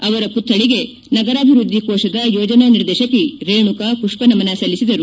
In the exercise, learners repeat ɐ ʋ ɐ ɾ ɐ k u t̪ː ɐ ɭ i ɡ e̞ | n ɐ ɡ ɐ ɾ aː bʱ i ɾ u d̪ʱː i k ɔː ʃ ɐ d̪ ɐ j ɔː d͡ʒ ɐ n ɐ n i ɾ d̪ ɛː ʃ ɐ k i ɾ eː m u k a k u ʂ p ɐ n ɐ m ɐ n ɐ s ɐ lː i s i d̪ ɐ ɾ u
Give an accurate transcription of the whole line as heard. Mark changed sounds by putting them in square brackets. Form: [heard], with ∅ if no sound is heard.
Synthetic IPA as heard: ɐ ʋ ɐ ɾ ɐ [p] u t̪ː ɐ ɭ i ɡ e̞ | n ɐ ɡ ɐ ɾ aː bʱ i ɾ u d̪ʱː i k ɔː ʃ ɐ d̪ ɐ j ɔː d͡ʒ ɐ n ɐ n i ɾ d̪ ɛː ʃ ɐ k i ɾ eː [ɳ] u k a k u ʂ p ɐ n ɐ m ɐ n ɐ s ɐ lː i s i d̪ ɐ ɾ u

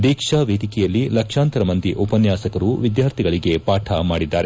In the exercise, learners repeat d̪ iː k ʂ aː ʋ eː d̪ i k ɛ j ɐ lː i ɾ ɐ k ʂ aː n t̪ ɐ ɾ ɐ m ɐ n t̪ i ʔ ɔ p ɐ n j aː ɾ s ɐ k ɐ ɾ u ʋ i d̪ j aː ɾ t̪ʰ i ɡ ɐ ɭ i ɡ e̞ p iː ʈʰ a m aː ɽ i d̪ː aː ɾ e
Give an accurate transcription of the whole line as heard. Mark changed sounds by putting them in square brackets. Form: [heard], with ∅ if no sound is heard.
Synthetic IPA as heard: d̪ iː k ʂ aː ʋ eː d̪ i k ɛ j ɐ lː i [l] ɐ k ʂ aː n t̪ ɐ ɾ ɐ m ɐ n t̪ i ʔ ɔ p ɐ n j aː [∅] s ɐ k ɐ ɾ u ʋ i d̪ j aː ɾ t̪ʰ i ɡ ɐ ɭ i ɡ e̞ p [aː] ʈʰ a m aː ɽ i d̪ː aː ɾ e

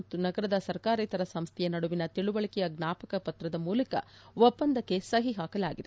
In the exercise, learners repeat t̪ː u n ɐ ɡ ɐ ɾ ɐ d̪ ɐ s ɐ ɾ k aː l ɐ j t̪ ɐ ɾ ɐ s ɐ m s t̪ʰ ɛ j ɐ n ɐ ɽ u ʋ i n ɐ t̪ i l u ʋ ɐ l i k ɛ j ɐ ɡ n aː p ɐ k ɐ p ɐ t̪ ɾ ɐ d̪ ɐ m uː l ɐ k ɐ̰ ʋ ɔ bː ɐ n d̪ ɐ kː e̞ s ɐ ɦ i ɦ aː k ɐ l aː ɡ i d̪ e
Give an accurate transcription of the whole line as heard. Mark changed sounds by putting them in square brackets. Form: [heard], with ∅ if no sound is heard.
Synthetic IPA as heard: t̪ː u n ɐ ɡ ɐ ɾ ɐ d̪ ɐ s ɐ ɾ k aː [ɾ] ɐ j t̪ ɐ ɾ ɐ s ɐ m s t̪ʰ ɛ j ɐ n ɐ ɽ u ʋ i n ɐ t̪ i [ɭ] u ʋ ɐ [ɭ] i k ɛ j ɐ ɡ n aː p ɐ k ɐ p ɐ t̪ ɾ ɐ d̪ ɐ m uː l ɐ k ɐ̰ ʋ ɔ [pː] ɐ n d̪ ɐ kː e̞ s ɐ ɦ i ɦ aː k ɐ l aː ɡ i d̪ e

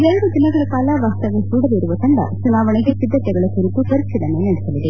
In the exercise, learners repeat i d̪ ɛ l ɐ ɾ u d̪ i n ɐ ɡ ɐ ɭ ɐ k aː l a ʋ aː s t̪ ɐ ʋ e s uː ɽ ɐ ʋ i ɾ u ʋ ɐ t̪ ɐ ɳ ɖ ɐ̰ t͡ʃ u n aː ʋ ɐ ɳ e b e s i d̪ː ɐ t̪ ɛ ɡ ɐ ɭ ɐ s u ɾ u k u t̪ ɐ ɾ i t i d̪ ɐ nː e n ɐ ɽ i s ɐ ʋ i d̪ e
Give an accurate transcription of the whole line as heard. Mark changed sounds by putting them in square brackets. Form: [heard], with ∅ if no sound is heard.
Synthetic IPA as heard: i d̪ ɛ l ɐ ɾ u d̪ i n ɐ ɡ ɐ ɭ ɐ k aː l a ʋ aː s t̪ ɐ ʋ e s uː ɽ ɐ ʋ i ɾ u ʋ ɐ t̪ ɐ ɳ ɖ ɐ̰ t͡ʃ u n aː ʋ ɐ ɳ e [ɡ] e s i d̪ː ɐ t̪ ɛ ɡ ɐ ɭ ɐ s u ɾ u k u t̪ ɐ ɾ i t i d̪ ɐ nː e n ɐ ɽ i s ɐ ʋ i d̪ e

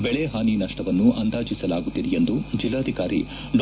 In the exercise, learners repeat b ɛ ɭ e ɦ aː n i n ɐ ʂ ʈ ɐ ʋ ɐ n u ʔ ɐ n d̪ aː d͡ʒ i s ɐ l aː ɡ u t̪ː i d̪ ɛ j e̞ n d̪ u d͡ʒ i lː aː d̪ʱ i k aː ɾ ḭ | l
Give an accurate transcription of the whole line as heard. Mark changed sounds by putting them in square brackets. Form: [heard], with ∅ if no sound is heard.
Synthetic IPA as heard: b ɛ ɭ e ɦ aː n i n ɐ ʂ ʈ ɐ ʋ ɐ [nː] u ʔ ɐ n d̪ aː d͡ʒ i s ɐ l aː ɡ u t̪ː i d̪ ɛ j e̞ n d̪ u d͡ʒ i lː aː d̪ʱ i k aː ɾ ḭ | l

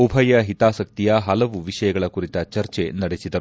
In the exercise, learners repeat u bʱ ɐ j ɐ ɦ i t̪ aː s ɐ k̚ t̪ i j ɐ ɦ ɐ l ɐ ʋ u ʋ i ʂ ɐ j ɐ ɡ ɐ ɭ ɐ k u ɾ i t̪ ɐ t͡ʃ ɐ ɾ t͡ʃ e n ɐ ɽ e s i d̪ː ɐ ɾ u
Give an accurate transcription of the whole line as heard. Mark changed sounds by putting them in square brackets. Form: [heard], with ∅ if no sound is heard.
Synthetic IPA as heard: u bʱ ɐ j ɐ ɦ i t̪ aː s ɐ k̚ t̪ i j ɐ ɦ ɐ l ɐ ʋ u ʋ i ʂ ɐ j ɐ ɡ ɐ ɭ ɐ k u ɾ i t̪ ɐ t͡ʃ ɐ ɾ t͡ʃ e n ɐ ɽ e s i [d̪] ɐ ɾ u

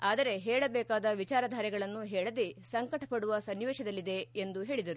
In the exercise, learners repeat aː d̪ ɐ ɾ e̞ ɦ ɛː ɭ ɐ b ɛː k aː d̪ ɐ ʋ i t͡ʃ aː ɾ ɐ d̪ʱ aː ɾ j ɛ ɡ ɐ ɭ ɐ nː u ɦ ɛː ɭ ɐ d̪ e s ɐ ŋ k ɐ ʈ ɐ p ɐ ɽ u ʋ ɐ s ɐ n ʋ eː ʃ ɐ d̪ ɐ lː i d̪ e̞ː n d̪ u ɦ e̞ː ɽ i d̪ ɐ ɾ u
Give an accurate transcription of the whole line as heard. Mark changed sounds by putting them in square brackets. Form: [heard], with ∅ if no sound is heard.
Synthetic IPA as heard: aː d̪ ɐ ɾ e̞ ɦ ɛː ɭ ɐ b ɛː k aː d̪ ɐ ʋ i t͡ʃ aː ɾ ɐ d̪ʱ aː ɾ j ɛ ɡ ɐ ɭ ɐ nː u ɦ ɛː ɭ ɐ d̪ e s ɐ ŋ k ɐ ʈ ɐ p ɐ ɽ u ʋ ɐ s ɐ n ʋ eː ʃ ɐ d̪ ɐ lː i d̪ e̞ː n d̪ u ɦ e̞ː [ɭ] i d̪ ɐ ɾ u

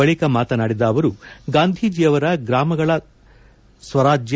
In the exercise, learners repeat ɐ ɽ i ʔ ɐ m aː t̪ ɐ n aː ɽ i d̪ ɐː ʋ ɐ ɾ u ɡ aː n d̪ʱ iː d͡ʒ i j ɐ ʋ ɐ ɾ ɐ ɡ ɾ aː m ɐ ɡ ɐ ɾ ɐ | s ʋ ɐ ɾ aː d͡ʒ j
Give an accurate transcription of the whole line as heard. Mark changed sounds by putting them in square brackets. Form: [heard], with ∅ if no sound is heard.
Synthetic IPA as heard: ɐ [ɭ] i [k] ɐ m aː t̪ ɐ n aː ɽ i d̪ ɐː ʋ ɐ ɾ u ɡ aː n d̪ʱ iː d͡ʒ i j ɐ ʋ ɐ ɾ ɐ ɡ ɾ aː m ɐ ɡ ɐ [ɭ] ɐ | s ʋ ɐ ɾ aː d͡ʒ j

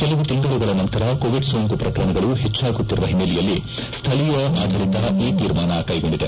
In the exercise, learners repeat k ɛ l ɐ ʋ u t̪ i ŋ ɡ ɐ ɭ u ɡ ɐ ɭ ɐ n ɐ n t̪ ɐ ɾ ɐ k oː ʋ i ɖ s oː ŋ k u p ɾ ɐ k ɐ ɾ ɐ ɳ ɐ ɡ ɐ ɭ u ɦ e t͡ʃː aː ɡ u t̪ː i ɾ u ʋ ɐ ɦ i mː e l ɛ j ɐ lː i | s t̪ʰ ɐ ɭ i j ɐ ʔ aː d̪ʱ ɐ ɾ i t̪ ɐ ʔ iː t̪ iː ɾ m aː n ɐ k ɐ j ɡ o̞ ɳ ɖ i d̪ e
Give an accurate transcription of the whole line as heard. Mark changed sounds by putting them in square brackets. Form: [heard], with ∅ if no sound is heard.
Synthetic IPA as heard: k ɛ l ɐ ʋ u t̪ i ŋ ɡ ɐ ɭ u ɡ ɐ ɭ ɐ n ɐ n t̪ ɐ ɾ ɐ k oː ʋ i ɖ s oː ŋ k u p ɾ ɐ k ɐ ɾ ɐ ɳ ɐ ɡ ɐ ɭ u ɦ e t͡ʃː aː ɡ u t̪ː i ɾ u ʋ ɐ ɦ i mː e l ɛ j ɐ lː i | s t̪ʰ ɐ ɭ i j ɐ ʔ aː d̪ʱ ɐ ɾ i t̪ ɐ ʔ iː t̪ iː ɾ m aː n ɐ k ɐ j ɡ o̞ ɳ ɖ i d̪ e

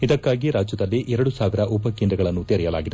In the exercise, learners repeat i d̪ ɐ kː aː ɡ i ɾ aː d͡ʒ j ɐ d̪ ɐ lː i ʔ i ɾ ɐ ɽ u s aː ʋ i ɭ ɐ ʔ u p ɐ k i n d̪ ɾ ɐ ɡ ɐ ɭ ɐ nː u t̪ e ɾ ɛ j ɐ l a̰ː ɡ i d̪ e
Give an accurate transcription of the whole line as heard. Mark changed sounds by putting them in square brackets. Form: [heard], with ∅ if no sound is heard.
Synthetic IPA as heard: i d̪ ɐ kː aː ɡ i ɾ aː d͡ʒ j ɐ d̪ ɐ lː i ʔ [ɛ] ɾ ɐ ɽ u s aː ʋ i [ɾ] ɐ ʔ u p ɐ k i n d̪ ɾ ɐ ɡ ɐ ɭ ɐ nː u t̪ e ɾ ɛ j ɐ l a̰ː ɡ i d̪ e

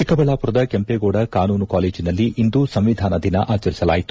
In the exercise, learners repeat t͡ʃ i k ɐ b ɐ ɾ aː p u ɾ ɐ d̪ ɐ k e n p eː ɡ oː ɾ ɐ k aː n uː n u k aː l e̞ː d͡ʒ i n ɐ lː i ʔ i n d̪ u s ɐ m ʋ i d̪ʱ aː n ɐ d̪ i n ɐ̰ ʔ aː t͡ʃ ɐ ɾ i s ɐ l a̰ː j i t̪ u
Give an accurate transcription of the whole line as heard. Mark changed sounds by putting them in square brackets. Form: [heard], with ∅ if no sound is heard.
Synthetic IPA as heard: t͡ʃ i k ɐ b ɐ [ɭ] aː p u ɾ ɐ d̪ ɐ k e [m] p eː ɡ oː [ɽ] ɐ k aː n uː n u k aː l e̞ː d͡ʒ i n ɐ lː i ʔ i n d̪ u s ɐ m ʋ i d̪ʱ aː n ɐ d̪ i n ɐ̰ ʔ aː t͡ʃ ɐ ɾ i s ɐ l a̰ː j i t̪ u

